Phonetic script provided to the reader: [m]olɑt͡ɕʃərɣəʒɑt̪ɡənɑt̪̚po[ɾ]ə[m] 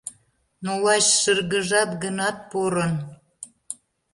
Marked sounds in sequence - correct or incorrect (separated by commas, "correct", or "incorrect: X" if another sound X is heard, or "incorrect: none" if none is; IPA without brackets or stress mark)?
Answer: incorrect: n, correct, incorrect: n